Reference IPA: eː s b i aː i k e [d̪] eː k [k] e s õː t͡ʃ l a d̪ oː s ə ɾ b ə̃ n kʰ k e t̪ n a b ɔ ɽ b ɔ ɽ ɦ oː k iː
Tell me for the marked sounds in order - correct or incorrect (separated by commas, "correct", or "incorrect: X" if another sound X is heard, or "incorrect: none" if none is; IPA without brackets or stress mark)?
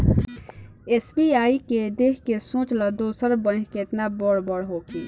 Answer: correct, correct